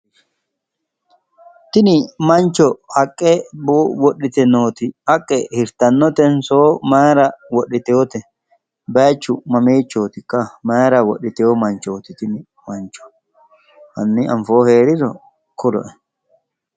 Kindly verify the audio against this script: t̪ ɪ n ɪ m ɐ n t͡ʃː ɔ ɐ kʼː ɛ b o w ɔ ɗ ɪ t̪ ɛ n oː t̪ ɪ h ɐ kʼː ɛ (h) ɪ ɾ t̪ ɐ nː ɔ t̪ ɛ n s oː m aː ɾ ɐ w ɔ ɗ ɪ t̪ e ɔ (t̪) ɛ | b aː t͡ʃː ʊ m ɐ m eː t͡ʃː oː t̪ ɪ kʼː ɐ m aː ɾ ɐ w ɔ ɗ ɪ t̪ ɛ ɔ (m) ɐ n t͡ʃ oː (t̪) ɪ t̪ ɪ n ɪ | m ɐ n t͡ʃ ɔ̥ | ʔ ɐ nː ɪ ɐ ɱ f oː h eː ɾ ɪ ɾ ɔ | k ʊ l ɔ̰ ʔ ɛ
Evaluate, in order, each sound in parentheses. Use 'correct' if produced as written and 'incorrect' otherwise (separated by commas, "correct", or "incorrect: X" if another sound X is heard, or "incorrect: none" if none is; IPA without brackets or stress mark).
correct, correct, correct, correct